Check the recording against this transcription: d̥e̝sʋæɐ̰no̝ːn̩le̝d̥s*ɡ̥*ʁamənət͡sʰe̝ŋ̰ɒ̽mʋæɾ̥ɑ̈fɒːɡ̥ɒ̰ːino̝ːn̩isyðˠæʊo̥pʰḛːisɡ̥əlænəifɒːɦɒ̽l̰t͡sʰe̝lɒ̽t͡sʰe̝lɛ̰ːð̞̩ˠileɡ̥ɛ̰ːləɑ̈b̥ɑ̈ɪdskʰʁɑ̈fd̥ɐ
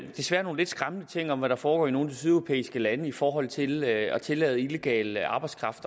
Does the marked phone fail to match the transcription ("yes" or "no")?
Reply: no